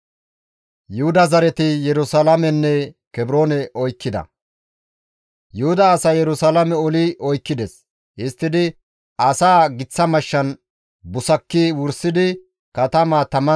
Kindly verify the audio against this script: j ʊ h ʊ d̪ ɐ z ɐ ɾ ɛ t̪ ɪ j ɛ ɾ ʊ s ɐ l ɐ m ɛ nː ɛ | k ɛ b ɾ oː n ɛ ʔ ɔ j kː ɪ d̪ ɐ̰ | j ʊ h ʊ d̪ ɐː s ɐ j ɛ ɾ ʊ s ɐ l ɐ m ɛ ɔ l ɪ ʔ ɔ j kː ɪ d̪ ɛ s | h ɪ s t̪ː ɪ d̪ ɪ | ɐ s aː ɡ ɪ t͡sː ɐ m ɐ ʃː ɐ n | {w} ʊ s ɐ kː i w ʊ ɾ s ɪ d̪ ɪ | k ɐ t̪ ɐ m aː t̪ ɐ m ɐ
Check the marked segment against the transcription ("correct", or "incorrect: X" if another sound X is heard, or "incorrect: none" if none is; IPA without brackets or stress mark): incorrect: b